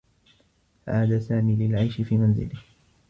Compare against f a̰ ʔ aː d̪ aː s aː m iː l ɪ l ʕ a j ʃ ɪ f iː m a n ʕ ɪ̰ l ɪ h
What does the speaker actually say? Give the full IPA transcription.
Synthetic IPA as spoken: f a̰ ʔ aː d̪ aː s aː m iː l ɪ l ʕ a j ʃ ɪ f iː m a n z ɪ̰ l ɪ h